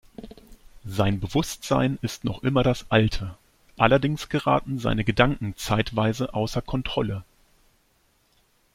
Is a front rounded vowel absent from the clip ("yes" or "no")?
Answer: yes